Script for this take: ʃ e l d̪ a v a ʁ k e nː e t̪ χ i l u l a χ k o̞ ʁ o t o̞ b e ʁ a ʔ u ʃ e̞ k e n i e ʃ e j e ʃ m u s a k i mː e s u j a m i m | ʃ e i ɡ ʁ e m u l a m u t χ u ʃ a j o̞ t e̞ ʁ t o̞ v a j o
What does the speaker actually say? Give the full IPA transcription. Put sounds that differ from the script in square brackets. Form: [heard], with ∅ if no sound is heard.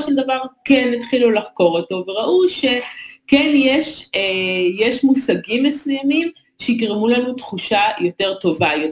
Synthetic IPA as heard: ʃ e l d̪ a v a ʁ k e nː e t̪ χ i l u l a χ k o̞ ʁ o t o̞ [v] e ʁ a ʔ u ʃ e̞ k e n [j] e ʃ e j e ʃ m u s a [ɡ] i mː e s u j a m i m | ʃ e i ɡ ʁ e m u l a [n] u t χ u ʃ a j o̞ t e̞ ʁ t o̞ v a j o